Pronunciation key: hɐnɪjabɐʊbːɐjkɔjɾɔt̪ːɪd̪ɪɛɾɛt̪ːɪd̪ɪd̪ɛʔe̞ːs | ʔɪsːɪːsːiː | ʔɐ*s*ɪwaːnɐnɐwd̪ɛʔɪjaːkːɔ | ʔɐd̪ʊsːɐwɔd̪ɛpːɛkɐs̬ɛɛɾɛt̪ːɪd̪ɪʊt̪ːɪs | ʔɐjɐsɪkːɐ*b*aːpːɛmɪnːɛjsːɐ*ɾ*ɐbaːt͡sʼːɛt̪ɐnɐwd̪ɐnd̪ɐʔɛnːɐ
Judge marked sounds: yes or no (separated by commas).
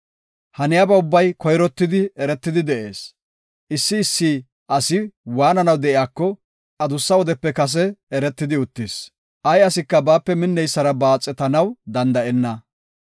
yes, yes, yes